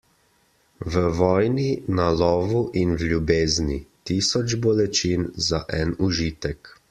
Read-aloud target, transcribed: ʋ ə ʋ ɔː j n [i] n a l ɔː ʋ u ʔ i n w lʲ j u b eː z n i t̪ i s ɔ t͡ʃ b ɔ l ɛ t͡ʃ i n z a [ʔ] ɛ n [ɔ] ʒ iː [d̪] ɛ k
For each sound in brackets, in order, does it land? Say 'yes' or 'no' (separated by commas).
yes, yes, no, no